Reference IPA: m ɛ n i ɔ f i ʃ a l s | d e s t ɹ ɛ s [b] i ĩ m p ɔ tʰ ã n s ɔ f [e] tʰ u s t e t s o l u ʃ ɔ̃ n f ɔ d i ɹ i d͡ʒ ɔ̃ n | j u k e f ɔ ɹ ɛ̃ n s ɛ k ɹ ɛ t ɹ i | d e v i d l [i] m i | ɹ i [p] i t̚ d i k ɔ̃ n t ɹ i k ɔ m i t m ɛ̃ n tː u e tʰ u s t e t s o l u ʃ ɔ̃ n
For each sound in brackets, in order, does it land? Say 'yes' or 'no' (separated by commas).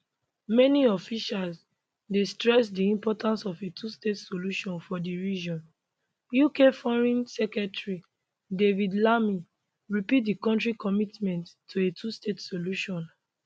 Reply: no, yes, no, yes